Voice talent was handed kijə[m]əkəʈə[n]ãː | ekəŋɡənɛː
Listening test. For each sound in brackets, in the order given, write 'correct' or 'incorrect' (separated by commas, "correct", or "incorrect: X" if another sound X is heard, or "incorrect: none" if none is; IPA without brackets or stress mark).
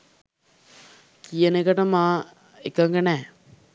incorrect: n, incorrect: m